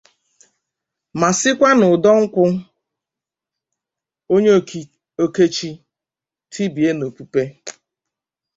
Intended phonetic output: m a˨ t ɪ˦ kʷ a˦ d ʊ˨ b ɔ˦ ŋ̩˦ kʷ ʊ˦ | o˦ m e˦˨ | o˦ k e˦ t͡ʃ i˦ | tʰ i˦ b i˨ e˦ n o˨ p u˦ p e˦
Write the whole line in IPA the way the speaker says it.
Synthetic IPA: m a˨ s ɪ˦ kʷ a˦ n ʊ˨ d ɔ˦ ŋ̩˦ kʷ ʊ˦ | o˦ ɲ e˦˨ | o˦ k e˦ t͡ʃ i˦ | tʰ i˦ b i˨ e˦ n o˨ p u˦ p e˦

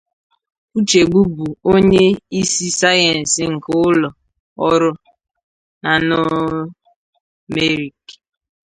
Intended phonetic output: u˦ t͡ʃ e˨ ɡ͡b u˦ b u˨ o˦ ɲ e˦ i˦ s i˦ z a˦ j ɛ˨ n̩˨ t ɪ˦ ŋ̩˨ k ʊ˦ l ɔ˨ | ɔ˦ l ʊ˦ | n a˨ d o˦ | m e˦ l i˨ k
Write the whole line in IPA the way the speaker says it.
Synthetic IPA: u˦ t͡ʃ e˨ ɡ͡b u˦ b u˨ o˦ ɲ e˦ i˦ s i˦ s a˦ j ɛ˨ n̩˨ s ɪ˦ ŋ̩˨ k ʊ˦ l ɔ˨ | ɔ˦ ɾ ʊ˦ | n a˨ n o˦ | m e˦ ɾ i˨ k

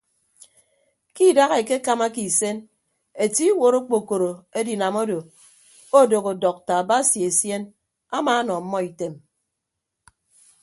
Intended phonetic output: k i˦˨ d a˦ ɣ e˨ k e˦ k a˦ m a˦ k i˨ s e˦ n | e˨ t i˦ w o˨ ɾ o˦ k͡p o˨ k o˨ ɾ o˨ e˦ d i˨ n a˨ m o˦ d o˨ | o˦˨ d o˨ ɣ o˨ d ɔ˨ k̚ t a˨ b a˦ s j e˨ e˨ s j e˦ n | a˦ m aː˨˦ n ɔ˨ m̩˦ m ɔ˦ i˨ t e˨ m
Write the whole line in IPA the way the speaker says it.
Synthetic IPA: k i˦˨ d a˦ ɣ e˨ k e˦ k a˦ m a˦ k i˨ s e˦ n | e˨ t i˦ w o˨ ɾ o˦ k͡p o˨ k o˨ ɾ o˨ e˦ d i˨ n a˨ m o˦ d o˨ | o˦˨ d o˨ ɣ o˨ d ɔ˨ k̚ t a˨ b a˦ s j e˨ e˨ s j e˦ n | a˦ m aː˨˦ n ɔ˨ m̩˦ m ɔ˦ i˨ t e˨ m

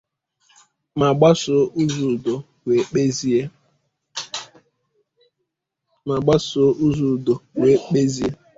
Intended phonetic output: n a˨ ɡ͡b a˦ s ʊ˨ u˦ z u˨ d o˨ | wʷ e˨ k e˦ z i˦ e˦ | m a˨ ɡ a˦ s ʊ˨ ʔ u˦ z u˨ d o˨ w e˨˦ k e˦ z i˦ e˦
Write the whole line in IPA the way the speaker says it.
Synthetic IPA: m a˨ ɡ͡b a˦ s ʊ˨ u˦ z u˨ d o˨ | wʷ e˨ k͡p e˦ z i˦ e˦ | m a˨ ɡ͡b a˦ s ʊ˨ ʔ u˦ z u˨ d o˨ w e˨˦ k͡p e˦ z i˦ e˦

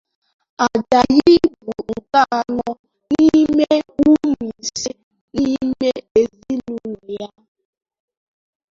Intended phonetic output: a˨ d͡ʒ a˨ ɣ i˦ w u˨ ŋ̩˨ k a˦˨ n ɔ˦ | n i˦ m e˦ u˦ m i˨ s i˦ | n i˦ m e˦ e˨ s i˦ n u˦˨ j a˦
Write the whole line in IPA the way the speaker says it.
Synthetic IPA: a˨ d͡ʒ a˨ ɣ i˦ b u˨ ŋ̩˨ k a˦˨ n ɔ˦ | n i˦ m e˦ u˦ m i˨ s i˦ | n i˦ m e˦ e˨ z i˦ n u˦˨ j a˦

